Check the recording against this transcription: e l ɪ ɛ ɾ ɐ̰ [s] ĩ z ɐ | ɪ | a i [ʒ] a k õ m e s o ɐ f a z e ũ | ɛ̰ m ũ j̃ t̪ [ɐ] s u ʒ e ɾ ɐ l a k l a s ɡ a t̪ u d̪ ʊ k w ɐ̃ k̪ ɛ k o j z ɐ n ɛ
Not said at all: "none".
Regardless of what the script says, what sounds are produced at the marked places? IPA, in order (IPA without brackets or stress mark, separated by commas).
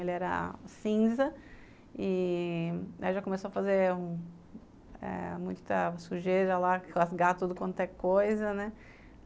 s, ʒ, ɐ